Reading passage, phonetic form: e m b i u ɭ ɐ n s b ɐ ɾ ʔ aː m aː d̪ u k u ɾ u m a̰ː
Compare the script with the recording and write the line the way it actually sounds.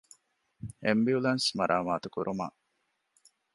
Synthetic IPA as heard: e m b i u l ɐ n s m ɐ ɾ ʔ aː m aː t̪ u k u ɾ u m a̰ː